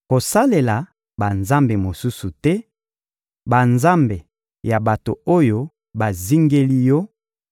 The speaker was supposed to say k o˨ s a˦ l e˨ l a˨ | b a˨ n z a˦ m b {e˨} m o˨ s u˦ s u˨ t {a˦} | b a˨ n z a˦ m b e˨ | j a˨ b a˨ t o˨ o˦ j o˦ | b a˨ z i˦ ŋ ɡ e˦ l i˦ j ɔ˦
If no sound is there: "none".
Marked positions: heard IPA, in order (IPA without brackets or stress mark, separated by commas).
e˨, ɛ˦